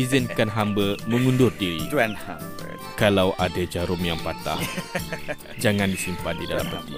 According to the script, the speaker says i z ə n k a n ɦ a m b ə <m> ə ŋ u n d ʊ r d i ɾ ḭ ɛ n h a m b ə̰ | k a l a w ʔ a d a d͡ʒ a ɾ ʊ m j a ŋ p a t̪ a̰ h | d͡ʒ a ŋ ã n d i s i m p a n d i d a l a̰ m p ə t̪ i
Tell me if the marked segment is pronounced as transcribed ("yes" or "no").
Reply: yes